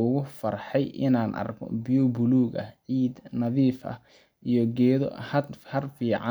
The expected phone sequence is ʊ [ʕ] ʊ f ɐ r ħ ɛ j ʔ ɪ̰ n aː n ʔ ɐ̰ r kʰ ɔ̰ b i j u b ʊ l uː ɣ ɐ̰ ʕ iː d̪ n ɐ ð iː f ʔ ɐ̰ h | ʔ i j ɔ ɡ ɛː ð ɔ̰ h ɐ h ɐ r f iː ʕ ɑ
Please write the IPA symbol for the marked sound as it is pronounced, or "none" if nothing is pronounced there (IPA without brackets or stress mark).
ɣ